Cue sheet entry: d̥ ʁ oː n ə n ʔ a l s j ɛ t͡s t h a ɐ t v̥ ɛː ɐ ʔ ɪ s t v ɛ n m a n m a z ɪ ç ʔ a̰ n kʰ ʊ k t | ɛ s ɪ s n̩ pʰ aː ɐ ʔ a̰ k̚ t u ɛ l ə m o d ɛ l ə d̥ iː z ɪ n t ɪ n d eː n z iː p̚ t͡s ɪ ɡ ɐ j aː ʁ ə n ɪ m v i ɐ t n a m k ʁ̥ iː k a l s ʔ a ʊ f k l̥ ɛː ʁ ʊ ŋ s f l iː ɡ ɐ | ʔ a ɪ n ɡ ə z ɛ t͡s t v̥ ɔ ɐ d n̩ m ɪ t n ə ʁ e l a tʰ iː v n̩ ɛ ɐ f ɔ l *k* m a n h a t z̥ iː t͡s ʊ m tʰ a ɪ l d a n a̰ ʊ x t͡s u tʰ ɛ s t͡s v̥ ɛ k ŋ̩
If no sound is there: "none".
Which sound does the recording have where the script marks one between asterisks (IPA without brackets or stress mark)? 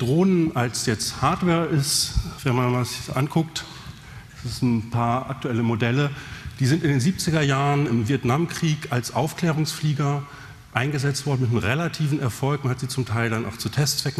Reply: k